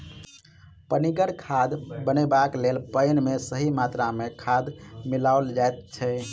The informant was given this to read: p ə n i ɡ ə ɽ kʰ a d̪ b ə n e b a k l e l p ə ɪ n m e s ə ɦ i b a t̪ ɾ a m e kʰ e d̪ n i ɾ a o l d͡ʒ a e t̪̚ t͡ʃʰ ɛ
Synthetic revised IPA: p ə n i ɡ ə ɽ kʰ a d̪ b ə n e b a k l e l p ə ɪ n m e s ə ɦ i m a t̪ ɾ a m e kʰ a d̪ m i l a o l d͡ʒ a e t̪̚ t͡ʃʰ ɛ